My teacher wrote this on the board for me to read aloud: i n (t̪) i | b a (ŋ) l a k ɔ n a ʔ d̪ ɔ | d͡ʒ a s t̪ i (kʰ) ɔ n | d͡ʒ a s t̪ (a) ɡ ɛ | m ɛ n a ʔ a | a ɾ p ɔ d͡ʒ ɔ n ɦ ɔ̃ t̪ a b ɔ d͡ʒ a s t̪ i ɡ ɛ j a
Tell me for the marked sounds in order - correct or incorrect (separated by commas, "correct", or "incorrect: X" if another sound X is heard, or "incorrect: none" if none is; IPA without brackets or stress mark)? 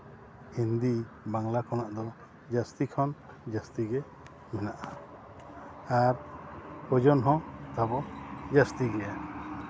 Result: incorrect: d̪, correct, correct, incorrect: i